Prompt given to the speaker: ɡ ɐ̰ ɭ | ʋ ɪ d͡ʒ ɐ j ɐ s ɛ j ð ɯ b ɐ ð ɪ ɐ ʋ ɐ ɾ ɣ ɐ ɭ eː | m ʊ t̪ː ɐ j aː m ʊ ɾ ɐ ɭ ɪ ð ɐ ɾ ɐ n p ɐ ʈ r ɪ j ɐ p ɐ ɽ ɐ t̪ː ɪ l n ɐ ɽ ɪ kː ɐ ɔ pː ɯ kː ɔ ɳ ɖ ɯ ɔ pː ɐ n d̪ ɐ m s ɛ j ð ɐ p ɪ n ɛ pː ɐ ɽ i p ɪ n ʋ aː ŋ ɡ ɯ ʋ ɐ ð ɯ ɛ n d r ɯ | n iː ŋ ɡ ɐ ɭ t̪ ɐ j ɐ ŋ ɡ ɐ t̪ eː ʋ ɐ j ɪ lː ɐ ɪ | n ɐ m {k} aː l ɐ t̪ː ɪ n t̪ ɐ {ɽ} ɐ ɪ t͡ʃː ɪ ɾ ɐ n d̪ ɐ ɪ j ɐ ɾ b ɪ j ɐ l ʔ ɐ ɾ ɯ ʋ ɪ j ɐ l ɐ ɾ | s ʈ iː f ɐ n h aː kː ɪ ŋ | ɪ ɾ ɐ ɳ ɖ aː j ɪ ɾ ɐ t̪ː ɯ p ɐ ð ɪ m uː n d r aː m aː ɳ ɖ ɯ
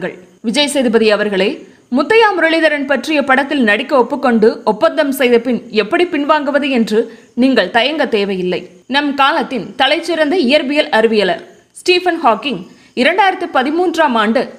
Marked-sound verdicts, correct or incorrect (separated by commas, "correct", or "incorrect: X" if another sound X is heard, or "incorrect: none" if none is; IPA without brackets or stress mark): correct, incorrect: l